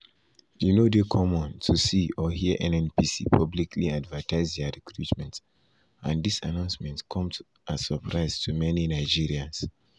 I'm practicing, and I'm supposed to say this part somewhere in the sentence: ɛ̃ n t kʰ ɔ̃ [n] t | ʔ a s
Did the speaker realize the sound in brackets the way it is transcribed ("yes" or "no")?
no